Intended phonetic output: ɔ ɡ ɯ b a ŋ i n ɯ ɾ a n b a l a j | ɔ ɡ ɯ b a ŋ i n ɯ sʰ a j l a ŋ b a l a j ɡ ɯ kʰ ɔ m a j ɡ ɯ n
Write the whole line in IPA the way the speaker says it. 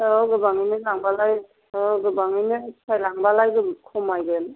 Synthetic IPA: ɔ ɡ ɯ b a ŋ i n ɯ l a ŋ b a l a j | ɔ ɡ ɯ b a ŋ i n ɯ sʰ a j l a ŋ b a l a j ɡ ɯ kʰ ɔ m a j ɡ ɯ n